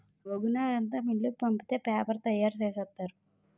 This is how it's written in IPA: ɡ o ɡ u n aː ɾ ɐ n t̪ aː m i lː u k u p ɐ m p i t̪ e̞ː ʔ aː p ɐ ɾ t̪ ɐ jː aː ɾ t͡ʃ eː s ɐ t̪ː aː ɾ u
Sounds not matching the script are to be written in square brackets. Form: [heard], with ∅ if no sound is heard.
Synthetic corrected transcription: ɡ o ɡ u n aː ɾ ɐ n t̪ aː m i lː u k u p ɐ m p i t̪ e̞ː [p] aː p ɐ ɾ t̪ ɐ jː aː ɾ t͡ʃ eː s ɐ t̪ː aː ɾ u